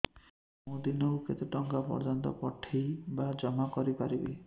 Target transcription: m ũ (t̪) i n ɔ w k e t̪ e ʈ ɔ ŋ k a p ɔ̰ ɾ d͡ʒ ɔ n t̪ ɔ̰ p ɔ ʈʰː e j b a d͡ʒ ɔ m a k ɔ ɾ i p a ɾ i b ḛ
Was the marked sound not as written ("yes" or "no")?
yes